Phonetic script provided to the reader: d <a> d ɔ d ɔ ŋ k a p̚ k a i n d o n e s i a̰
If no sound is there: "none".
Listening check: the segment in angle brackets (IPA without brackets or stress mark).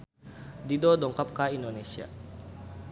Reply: i